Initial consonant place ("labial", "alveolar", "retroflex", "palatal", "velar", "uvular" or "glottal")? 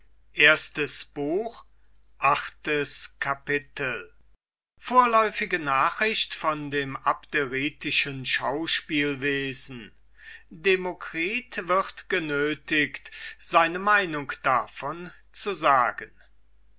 glottal